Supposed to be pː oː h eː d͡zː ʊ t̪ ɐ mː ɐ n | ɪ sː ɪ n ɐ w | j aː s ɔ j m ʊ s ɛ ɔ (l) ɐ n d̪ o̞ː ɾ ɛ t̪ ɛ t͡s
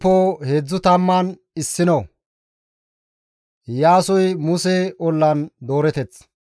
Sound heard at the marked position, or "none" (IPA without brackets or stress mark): lː